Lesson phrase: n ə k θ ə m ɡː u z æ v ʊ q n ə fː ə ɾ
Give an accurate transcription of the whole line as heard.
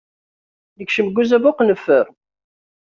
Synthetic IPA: n ə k ʃ ə m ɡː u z æ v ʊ q n ə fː ə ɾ